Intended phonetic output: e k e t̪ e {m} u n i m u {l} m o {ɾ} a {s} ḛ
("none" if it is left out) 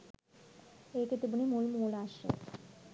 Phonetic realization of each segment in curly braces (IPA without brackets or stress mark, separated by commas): b, l, l, ʃ